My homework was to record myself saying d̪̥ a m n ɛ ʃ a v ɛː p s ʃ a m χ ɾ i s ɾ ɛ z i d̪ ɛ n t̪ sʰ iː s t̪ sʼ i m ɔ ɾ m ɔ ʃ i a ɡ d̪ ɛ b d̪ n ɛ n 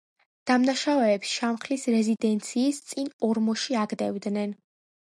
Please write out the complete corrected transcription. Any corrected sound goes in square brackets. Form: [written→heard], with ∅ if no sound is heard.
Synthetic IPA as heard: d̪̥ a m n [ɛ→a] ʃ a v ɛː p s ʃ a m χ [ɾ→l] i s ɾ ɛ z i d̪ ɛ n t̪ sʰ iː s t̪ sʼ i [m→n] ɔ ɾ m ɔ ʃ i a ɡ d̪ ɛ [b→v] d̪ n ɛ n